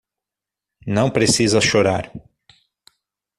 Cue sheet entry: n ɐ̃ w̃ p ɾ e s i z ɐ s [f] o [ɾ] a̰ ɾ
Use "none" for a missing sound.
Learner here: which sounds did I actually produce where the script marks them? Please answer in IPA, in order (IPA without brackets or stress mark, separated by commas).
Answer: ʃ, ɾ